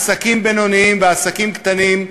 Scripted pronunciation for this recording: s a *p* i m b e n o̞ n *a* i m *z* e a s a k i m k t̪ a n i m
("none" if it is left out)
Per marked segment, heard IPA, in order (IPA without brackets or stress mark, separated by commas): k, i, v